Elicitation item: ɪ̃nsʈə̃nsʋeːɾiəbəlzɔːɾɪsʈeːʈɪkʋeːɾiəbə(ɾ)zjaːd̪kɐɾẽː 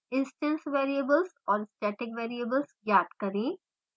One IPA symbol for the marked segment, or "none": l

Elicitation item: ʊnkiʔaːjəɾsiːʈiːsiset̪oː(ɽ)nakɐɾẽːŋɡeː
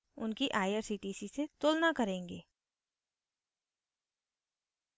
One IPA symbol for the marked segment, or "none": l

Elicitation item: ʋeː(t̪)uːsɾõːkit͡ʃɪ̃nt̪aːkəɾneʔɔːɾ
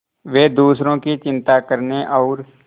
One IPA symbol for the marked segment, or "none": d̪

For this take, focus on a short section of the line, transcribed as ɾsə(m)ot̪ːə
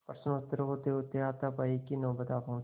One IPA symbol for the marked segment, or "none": n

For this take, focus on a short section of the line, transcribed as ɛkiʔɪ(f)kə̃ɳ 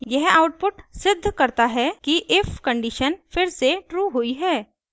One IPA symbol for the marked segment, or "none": f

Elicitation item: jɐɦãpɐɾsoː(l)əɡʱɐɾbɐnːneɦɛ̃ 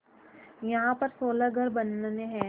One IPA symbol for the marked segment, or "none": l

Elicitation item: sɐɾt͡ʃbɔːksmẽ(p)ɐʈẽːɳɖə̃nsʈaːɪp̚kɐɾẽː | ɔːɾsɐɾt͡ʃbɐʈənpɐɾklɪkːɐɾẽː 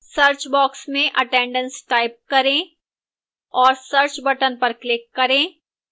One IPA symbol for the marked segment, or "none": ʔ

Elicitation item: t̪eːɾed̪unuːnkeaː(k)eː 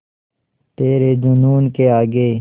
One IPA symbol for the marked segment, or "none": ɡ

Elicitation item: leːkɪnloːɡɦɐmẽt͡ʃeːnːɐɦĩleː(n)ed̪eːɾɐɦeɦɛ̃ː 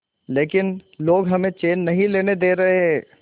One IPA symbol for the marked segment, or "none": n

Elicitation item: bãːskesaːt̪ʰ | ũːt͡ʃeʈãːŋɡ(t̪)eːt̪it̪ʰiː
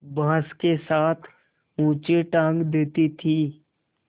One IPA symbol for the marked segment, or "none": d̪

